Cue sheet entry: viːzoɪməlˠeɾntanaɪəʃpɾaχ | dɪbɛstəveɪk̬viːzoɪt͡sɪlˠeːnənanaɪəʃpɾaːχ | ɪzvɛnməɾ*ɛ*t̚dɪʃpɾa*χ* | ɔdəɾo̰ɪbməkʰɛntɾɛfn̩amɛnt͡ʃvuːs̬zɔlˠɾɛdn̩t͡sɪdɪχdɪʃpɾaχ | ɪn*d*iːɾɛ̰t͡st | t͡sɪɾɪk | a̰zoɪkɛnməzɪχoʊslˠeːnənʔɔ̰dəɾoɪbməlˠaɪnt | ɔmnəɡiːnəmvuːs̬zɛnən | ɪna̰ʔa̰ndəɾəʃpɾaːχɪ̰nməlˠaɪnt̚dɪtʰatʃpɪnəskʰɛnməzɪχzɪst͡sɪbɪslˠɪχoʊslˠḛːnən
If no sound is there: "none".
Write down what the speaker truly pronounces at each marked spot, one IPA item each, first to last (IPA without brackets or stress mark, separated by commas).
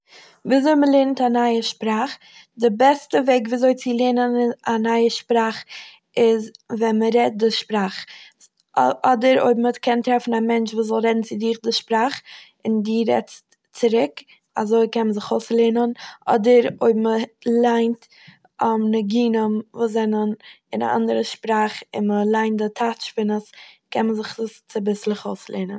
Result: ɛ, χ, d